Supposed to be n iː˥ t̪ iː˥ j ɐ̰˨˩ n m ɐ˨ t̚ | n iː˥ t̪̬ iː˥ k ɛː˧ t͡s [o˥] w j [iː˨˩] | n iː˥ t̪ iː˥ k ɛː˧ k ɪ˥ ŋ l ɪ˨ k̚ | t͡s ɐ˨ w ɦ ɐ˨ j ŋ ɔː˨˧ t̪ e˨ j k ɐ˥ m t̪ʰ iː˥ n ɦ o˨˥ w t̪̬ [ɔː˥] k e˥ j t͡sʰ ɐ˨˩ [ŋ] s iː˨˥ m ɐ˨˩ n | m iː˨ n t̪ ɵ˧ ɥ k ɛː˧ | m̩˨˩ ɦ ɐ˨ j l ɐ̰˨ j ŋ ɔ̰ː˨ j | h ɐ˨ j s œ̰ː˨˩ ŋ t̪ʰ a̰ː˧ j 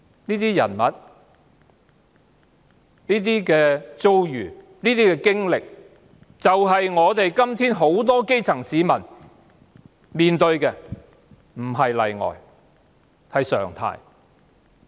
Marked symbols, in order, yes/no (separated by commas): yes, no, yes, yes